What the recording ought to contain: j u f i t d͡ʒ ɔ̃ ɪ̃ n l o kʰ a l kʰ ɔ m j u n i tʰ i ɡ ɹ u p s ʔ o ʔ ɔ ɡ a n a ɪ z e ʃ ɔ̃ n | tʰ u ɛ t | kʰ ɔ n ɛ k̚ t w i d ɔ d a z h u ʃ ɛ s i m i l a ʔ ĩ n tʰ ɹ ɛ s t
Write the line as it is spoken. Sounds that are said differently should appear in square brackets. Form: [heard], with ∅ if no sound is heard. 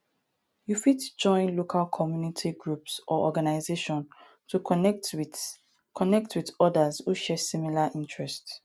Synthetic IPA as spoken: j u f i t d͡ʒ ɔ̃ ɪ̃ n l o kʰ a l kʰ ɔ m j u n i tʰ i ɡ ɹ u p s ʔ [ɔ] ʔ ɔ ɡ a n a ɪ z e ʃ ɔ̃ n | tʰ u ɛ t | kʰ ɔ n ɛ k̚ t w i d ɔ d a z h u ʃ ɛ s i m i l a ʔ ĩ n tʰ ɹ ɛ s t

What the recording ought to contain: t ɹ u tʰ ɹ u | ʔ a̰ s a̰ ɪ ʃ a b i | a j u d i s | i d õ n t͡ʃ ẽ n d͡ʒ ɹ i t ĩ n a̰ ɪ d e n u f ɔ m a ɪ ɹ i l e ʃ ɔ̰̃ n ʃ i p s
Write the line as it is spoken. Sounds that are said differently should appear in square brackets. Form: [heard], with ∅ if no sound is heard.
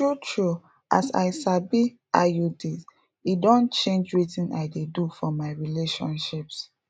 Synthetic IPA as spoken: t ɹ u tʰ ɹ u | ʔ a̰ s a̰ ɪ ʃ a b i | a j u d i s | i d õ n t͡ʃ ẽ n d͡ʒ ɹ i t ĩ n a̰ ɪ d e [d] u f ɔ m a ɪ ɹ i l e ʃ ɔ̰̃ n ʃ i p s

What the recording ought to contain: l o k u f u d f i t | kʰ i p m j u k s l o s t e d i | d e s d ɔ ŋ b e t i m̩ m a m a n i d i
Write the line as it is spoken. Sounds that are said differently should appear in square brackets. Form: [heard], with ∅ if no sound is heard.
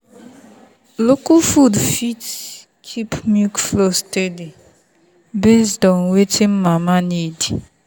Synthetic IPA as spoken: l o k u f u d f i t | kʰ i p m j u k [f] l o s t e d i | [b] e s d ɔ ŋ [w] e t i m̩ m a m a n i d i

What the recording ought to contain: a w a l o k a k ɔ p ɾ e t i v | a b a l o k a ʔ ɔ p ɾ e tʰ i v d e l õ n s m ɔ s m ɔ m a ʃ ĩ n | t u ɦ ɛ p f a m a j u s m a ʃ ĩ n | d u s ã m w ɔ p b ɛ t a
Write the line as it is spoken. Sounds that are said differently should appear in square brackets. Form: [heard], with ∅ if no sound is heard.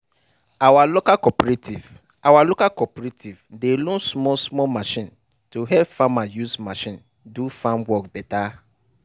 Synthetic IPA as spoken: a w a l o k a k ɔ p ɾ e t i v | a [w] a l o k a [k] ɔ p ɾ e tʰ i v d e l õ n s m ɔ s m ɔ m a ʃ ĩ n | t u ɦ ɛ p f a m a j u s m a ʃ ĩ n | d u [f] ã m w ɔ [k] b ɛ t a

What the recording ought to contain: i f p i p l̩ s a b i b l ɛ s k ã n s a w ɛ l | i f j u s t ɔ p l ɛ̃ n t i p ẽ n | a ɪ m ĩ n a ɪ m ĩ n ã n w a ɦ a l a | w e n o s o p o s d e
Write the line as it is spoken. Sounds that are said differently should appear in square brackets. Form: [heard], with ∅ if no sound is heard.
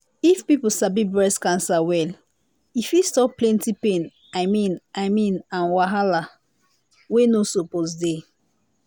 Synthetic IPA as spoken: i f p i p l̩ s a b i b [ɹ] ɛ s k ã n s a w ɛ l | i f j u s t ɔ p l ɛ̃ n t i p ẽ n | a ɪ m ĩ n a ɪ m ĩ n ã n w a ɦ a l a | w e n o s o p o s d e

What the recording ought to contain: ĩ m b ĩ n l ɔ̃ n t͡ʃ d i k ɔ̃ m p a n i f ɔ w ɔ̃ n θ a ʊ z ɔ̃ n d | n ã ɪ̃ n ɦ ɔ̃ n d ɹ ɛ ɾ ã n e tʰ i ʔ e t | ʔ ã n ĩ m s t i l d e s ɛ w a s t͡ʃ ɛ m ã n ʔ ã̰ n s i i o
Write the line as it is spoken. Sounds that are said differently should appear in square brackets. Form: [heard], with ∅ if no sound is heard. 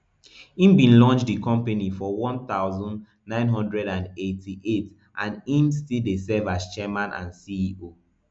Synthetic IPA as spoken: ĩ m b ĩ n l ɔ̃ n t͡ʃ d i k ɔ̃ m p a n i f ɔ w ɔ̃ n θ a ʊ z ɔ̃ n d | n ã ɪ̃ n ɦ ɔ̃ n d ɹ ɛ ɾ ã n e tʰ i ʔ e t | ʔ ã n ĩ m s t i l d e s ɛ [v] a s t͡ʃ ɛ m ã n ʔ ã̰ n s i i o

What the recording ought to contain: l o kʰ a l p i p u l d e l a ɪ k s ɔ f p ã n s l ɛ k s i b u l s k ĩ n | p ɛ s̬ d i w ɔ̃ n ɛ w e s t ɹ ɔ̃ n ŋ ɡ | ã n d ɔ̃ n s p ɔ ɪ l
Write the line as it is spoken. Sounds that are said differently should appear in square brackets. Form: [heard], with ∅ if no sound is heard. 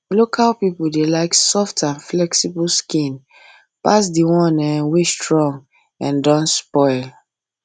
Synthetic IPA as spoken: l o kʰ a l p i p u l d e l a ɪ k s ɔ f [t] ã n [f] l ɛ k s i b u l s k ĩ n | p [a] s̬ d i w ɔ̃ n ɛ w e s t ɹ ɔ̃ [∅] ŋ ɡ | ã n d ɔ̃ n s p ɔ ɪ l

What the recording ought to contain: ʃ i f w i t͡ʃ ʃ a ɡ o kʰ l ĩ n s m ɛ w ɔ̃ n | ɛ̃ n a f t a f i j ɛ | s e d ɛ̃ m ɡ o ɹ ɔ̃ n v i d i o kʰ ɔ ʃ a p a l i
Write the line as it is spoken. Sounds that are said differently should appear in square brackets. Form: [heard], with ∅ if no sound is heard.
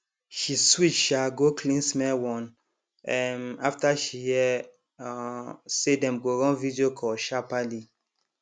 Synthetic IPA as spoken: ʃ i [s] w i t͡ʃ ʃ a ɡ o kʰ l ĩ n s m ɛ w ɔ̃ n | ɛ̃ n a f t a [ʃ] i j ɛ | s e d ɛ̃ m ɡ o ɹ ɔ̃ n v i d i o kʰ ɔ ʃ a p a l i

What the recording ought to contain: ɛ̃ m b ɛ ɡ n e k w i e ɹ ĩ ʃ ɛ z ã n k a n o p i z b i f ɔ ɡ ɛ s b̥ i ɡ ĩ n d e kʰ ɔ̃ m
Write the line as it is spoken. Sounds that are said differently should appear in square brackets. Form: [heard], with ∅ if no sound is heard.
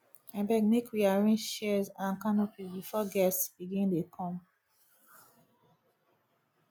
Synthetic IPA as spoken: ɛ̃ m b ɛ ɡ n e k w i [a] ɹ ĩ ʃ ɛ z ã n k a n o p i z b i f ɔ ɡ ɛ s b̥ i ɡ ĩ n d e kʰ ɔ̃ m

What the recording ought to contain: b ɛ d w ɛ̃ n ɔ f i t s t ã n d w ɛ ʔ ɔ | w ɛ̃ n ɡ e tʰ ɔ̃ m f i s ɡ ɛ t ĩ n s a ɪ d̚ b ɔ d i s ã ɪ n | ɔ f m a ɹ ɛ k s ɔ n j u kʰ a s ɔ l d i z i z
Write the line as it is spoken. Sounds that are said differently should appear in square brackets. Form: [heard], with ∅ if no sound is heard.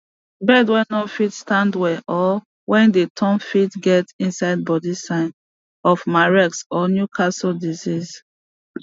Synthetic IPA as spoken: b ɛ d w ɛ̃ n ɔ f i t s t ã n d w ɛ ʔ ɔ | w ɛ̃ n [d] e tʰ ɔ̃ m f i [t] ɡ ɛ t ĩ n s a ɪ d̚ b ɔ d i s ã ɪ n | ɔ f m a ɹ ɛ k s ɔ n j u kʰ a s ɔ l d i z i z

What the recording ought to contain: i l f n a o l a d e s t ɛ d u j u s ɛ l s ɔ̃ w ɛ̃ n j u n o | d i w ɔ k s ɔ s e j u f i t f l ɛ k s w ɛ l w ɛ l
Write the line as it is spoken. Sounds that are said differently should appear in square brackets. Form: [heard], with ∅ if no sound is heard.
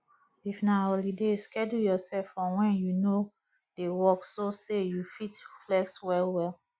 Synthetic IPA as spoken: i [∅] f n a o l [i] d e s [k] ɛ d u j [ɔ] s ɛ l [f] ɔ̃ w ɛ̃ n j u n o | d [e] w ɔ k s [o] s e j u f i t f l ɛ k s w ɛ l w ɛ l

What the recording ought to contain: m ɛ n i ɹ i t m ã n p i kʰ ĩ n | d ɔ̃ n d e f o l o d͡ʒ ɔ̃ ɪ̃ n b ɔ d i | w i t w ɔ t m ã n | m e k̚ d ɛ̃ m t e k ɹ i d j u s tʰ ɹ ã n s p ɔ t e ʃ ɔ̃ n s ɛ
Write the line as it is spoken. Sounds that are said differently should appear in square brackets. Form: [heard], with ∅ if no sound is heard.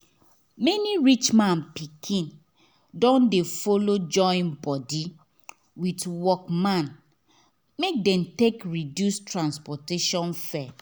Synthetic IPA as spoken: m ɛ n i ɹ i [t͡ʃ] m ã n p i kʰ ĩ n | d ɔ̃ n d e f o l o d͡ʒ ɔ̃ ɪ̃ n b ɔ d i | w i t w ɔ [k] m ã n | m e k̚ d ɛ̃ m t e k ɹ i d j u s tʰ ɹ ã n s p ɔ t e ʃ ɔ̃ n [f] ɛ

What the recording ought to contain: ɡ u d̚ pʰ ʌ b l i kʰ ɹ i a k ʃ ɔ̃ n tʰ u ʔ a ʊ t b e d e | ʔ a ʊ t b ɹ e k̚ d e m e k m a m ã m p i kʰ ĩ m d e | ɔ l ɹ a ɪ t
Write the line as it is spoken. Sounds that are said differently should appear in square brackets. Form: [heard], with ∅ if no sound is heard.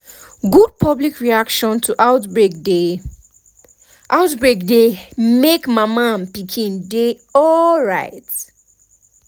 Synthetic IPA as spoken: ɡ u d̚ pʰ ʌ b l i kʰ ɹ i a k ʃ ɔ̃ n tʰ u ʔ a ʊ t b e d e | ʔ a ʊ t b ɹ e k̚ d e m e k m a m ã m p i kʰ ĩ [n] d e | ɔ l ɹ a ɪ t

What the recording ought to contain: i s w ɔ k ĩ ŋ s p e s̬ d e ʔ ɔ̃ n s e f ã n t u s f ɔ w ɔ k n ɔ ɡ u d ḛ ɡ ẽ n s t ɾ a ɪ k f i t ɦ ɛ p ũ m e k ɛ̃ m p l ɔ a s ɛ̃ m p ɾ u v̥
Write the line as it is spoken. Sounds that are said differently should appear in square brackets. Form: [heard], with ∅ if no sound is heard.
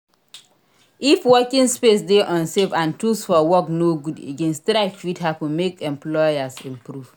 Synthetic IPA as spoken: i [f] w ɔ k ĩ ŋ s p e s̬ d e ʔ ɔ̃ n s e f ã n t u s f ɔ w ɔ k n [o] ɡ u d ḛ ɡ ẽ n s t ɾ a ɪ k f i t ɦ [a] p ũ m e k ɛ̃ m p l ɔ a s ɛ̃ m p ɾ u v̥

